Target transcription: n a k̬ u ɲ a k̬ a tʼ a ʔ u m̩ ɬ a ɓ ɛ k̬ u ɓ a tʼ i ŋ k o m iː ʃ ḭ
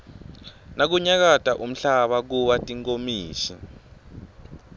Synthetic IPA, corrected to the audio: n a k̬ u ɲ a k̬ a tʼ a ʔ u m̩ ɬ a ɓ a k̬ u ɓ a tʼ i ŋ k o m iː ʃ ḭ